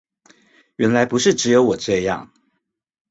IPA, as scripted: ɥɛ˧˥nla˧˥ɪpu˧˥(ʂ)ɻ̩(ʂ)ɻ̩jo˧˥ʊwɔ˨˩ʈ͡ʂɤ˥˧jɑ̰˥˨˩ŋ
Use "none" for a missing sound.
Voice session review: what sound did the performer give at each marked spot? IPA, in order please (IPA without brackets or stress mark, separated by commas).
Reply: ʂ, ʈ͡ʂ